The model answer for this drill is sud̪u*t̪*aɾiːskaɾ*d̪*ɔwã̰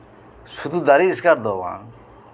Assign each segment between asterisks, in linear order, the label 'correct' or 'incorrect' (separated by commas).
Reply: incorrect, correct